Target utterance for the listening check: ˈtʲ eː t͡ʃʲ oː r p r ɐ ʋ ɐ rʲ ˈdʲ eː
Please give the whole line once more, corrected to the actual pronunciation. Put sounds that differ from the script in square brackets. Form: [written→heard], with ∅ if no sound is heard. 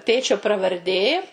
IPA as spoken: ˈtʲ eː t͡ʃʲ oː [r→∅] p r ɐ ʋ ɐ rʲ ˈdʲ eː